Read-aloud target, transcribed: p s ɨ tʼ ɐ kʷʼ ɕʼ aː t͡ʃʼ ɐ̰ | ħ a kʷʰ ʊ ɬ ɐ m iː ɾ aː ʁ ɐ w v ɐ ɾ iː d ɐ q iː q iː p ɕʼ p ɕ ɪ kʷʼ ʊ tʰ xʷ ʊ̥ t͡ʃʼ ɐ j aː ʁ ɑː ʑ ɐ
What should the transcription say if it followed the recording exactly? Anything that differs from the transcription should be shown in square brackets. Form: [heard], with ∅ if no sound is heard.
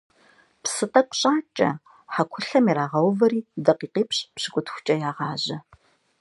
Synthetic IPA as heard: p s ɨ tʼ ɐ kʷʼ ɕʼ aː t͡ʃʼ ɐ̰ | ħ a kʷʰ ʊ ɬ ɐ m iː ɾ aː ʁ ɐ w v ɐ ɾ iː d ɐ q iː q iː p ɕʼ p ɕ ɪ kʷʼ ʊ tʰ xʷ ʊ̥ t͡ʃʼ ɐ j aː ʁ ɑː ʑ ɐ